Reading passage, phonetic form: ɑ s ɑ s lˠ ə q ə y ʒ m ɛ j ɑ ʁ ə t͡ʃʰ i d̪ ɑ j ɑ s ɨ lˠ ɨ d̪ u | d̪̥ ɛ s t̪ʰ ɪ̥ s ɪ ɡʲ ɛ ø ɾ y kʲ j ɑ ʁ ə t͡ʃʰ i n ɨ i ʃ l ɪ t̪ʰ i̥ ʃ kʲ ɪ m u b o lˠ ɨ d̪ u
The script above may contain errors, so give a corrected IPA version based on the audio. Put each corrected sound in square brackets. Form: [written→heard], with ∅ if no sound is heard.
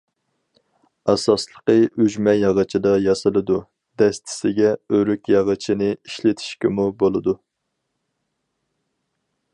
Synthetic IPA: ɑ s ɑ s lˠ ə q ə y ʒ m ɛ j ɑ ʁ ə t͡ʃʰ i d̪ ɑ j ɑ s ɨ lˠ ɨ d̪ u | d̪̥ ɛ s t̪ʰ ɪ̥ s ɪ ɡʲ ɛ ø ɾ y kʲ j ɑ ʁ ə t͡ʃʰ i n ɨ i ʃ l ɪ t̪ʰ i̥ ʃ kʲ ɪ m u b o lˠ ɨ d̪ u